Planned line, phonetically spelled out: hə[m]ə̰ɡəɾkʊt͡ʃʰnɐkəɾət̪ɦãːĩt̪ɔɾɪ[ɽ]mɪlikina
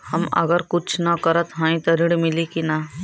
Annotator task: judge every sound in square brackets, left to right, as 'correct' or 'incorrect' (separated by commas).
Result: correct, correct